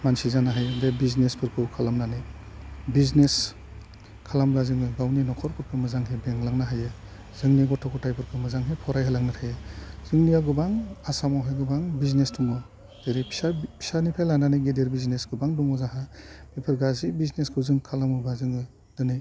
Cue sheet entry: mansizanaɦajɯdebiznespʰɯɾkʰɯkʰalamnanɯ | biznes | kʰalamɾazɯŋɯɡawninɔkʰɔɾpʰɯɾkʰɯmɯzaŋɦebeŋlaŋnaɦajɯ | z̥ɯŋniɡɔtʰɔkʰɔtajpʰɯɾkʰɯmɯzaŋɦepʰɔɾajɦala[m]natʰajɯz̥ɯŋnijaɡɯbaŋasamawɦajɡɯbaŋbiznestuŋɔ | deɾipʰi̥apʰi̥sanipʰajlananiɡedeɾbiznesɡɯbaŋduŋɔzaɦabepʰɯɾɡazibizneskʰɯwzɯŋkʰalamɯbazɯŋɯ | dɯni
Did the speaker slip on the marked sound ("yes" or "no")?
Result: yes